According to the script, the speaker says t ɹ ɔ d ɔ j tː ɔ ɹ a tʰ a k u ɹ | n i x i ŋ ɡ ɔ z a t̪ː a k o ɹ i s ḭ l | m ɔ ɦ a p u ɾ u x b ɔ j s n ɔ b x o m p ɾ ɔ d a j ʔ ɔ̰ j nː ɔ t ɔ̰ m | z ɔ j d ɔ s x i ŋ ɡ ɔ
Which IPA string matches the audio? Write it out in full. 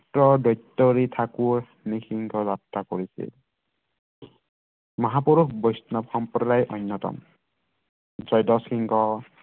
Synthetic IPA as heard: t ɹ ɔ d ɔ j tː ɔ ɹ i tʰ a k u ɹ | n i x i ŋ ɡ ɔ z a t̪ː a k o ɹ i s ḭ l | m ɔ ɦ a p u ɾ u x b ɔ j s n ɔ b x ɔ m p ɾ ɔ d a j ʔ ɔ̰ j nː ɔ t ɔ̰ m | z ɔ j d ɔ s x i ŋ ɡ ɔ